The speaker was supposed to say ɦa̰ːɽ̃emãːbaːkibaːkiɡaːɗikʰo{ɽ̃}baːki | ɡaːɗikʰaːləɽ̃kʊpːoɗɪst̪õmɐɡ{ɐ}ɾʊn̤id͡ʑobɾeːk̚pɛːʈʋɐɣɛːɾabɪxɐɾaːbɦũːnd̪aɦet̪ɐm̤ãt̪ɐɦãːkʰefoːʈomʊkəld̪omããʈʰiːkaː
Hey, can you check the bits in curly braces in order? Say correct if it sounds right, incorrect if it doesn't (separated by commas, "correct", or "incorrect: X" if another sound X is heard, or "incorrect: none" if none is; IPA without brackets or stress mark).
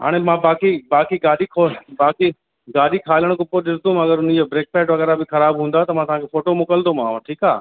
incorrect: none, incorrect: ə